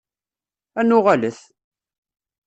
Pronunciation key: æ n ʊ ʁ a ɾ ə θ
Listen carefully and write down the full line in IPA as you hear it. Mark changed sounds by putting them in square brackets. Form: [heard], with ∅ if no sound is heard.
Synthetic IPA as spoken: æ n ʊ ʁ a [l] ə θ